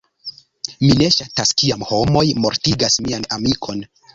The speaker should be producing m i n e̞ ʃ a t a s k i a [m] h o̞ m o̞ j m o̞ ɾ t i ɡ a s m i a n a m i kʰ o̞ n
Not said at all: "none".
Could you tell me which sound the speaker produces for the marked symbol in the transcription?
m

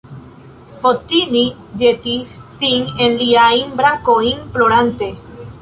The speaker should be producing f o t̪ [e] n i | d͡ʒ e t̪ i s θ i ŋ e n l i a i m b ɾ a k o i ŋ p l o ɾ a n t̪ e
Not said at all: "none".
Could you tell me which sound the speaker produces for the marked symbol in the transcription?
i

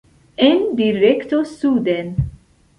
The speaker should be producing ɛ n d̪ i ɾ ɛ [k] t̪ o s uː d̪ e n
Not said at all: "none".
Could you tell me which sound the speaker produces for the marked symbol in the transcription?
k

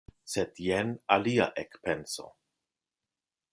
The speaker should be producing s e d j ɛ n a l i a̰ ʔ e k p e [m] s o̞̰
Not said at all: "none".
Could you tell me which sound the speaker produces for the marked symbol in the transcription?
n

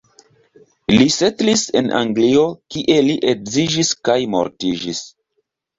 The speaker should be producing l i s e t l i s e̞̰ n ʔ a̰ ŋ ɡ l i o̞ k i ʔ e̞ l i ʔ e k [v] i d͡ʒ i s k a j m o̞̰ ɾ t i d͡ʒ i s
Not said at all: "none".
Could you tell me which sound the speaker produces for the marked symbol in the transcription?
z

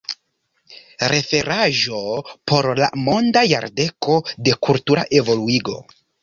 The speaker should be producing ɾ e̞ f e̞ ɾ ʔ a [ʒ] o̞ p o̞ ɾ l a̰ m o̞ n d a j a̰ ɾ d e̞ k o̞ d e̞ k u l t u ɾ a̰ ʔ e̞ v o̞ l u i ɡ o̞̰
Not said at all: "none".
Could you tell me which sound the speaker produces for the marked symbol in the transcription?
ʒ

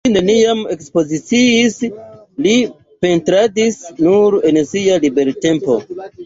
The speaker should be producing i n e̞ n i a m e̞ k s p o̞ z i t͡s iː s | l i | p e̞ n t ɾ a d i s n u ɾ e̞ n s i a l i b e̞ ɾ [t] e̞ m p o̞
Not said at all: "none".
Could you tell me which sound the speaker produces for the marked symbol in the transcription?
t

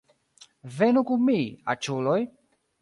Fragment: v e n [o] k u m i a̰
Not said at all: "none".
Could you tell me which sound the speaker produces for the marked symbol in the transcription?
u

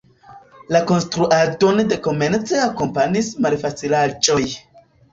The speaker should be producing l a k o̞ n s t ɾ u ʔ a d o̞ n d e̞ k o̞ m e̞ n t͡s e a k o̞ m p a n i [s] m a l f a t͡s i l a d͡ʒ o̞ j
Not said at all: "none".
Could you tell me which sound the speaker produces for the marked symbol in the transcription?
s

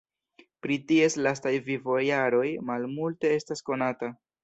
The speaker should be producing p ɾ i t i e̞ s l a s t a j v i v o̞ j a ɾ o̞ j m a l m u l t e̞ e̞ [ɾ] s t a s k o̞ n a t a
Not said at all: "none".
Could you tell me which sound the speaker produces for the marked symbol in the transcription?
none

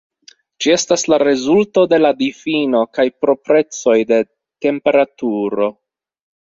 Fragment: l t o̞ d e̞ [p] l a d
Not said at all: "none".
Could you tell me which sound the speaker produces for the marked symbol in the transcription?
none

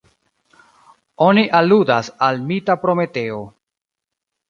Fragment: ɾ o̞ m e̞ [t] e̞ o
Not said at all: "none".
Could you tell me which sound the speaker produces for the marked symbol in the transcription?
t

